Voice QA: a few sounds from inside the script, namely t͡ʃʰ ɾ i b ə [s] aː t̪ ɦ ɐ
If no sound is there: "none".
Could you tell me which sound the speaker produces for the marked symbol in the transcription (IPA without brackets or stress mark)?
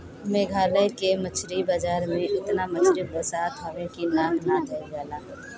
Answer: s